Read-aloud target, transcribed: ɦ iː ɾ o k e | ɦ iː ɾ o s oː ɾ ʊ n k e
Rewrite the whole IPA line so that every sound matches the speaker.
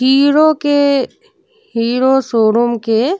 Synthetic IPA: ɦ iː ɾ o k e | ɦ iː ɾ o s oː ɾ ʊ m k e